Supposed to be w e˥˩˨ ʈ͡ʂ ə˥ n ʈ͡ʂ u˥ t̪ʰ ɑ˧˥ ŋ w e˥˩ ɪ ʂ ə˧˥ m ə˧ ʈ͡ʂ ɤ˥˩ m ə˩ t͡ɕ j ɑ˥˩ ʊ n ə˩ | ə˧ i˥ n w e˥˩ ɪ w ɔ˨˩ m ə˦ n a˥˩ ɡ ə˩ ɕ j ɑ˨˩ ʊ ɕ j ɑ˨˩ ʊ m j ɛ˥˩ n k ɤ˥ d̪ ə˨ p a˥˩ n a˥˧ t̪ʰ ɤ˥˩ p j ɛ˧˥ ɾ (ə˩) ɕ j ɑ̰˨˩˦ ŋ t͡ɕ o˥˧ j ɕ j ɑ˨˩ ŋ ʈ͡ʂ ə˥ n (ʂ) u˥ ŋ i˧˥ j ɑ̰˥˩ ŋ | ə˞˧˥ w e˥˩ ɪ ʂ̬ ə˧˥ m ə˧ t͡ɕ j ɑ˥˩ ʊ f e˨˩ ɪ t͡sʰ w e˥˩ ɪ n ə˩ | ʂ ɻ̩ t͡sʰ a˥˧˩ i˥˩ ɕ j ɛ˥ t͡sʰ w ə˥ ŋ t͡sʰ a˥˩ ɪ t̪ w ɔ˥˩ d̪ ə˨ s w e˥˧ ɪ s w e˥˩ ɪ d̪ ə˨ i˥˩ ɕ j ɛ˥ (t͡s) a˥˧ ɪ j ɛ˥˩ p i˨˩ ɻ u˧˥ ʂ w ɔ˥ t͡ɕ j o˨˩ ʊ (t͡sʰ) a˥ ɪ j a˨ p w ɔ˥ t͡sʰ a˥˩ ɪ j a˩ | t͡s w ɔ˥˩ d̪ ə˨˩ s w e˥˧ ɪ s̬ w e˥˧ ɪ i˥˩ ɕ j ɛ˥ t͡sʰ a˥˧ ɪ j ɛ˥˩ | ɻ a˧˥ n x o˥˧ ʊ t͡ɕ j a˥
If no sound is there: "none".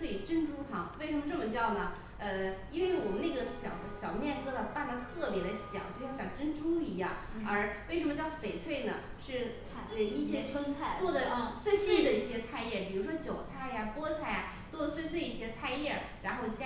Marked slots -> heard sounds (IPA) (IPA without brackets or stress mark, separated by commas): ə˧, ʈ͡ʂ, t͡sʰ, t͡sʰ